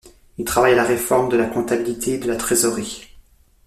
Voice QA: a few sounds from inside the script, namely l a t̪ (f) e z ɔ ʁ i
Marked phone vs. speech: incorrect: χ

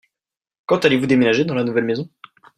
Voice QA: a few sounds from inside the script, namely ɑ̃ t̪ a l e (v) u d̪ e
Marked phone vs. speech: correct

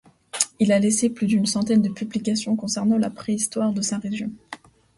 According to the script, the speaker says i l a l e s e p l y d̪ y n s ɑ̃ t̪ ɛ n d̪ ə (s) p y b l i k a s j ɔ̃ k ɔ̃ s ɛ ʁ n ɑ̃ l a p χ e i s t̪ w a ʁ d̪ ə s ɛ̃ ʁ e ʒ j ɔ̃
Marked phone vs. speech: incorrect: none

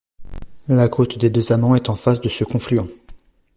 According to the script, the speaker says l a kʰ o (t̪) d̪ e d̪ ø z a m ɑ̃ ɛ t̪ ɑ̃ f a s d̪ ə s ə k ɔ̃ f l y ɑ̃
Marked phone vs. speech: correct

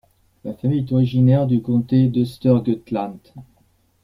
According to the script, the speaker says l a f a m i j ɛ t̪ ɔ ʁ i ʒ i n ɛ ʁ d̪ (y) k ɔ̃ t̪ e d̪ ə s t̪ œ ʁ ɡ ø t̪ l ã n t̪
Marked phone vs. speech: correct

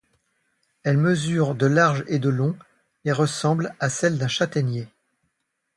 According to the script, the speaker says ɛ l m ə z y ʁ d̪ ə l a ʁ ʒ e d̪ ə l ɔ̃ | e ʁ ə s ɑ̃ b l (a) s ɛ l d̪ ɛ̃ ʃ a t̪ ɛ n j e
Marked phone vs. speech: correct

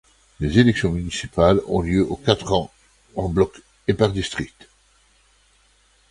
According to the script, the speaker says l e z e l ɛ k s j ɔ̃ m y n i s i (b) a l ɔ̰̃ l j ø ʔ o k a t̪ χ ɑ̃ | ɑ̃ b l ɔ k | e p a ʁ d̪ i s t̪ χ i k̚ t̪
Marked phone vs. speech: incorrect: p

